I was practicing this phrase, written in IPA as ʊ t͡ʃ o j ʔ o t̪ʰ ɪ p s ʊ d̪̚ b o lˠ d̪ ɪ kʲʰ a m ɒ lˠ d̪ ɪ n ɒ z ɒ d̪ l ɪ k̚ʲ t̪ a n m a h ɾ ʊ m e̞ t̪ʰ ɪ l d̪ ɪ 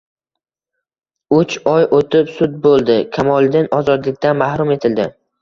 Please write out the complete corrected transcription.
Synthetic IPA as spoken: ʊ t͡ʃ ɒ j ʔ o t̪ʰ ɪ p s ʊ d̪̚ b o lˠ d̪ ɪ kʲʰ a m ɒ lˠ d̪ ɪ n ɒ z ɒ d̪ l ɪ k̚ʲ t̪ a n m a h ɾ ʊ m e̞ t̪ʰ ɪ l d̪ ɪ